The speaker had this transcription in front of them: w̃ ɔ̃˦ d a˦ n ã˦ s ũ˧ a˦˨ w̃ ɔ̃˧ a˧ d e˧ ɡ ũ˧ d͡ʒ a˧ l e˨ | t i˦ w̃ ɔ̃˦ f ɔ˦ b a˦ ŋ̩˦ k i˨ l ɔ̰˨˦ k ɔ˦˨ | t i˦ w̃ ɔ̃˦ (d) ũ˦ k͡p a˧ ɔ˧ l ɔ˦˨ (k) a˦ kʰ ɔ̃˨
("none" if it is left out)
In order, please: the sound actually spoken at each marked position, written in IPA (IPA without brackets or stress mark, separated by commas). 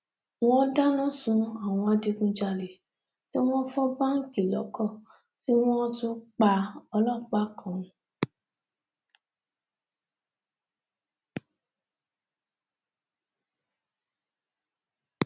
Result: t, k͡p